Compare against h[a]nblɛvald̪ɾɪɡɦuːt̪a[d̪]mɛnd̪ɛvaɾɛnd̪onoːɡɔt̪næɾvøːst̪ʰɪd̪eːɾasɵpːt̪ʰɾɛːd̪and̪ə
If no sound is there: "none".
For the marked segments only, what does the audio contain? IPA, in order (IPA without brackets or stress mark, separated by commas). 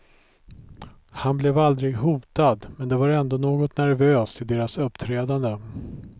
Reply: a, d̪